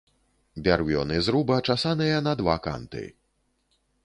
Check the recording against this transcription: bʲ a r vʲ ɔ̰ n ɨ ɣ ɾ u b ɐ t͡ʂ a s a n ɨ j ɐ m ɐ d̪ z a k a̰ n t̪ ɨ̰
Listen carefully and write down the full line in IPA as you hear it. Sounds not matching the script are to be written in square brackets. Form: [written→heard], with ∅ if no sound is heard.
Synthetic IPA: bʲ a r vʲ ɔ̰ n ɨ [ɣ→z] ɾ u b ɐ t͡ʂ a s a n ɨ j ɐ [m→n] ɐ d̪ [z→v] a k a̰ n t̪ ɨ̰